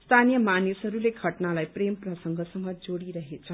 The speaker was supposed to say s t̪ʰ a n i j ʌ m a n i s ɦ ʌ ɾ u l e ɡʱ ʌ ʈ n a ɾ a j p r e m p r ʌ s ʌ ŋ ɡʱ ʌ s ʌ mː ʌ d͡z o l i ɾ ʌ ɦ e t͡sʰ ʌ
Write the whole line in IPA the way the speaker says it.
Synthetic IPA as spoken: s t̪ʰ a n i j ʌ m a n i s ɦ ʌ ɾ u l e ɡʱ ʌ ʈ n a l a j p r e m p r ʌ s ʌ ŋ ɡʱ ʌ s ʌ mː ʌ d͡z o ɽ i ɾ ʌ ɦ e t͡sʰ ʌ